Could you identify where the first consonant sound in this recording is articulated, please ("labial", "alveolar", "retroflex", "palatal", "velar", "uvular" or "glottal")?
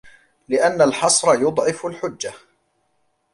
alveolar